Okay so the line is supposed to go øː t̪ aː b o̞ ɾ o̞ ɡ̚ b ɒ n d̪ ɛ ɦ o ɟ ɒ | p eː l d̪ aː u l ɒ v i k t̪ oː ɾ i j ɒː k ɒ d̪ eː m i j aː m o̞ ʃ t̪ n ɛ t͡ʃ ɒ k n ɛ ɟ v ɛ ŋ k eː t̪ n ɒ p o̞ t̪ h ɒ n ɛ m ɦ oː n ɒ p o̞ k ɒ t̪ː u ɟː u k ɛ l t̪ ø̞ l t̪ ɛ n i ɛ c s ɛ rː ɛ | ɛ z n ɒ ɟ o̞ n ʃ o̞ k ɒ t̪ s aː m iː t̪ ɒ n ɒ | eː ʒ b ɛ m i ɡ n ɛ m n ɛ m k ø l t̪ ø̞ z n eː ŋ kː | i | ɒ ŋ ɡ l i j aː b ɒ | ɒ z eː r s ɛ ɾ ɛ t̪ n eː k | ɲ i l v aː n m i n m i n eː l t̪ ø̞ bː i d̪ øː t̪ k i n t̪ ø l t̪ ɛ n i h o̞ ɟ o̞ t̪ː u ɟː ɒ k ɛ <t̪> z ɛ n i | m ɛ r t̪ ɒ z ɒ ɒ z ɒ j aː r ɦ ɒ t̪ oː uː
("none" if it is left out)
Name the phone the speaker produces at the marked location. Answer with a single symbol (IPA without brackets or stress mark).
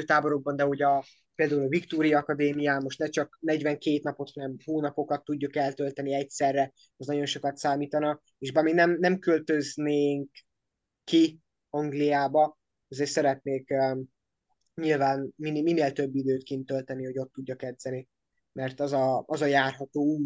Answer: d̪